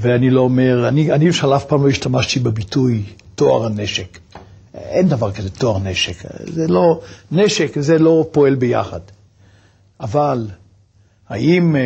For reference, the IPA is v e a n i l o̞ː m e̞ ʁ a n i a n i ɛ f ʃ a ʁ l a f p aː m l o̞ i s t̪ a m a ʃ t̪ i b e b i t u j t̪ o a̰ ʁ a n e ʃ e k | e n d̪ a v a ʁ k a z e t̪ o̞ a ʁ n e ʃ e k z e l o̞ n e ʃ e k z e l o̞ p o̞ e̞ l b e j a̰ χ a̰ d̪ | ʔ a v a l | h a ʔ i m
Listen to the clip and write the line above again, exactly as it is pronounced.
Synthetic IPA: v e a n i l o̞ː m e̞ ʁ a n i a n i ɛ f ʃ a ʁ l a f p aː m l o̞ i ʃ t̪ a m a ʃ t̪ i b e b i t u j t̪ o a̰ ʁ a n e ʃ e k | e n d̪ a v a ʁ k a z e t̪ o̞ a ʁ n e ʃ e k z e l o̞ n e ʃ e k z e l o̞ p o̞ e̞ l b e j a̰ χ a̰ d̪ | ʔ a v a l | h a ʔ i m